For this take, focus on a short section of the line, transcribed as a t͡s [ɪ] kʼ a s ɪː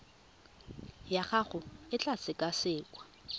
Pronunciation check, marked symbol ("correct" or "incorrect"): correct